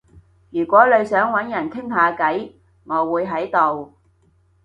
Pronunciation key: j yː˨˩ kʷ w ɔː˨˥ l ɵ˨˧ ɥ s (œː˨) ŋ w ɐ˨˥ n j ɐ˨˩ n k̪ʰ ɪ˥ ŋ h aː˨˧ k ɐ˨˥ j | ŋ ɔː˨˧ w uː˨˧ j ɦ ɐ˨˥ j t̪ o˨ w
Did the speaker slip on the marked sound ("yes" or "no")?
yes